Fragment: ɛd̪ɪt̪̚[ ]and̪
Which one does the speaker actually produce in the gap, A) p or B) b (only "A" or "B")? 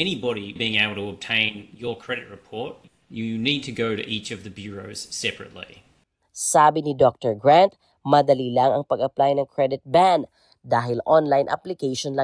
B